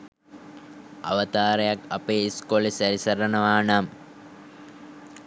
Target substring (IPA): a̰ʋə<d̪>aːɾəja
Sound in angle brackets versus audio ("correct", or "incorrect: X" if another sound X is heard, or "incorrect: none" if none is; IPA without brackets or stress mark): incorrect: t̪